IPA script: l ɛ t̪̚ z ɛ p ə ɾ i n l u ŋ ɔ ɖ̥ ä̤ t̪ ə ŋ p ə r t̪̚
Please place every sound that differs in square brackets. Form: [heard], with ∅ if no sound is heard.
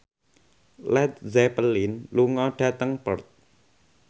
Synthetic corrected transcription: l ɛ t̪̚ z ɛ p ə [l] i n l u ŋ ɔ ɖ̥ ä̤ t̪ ə ŋ p ə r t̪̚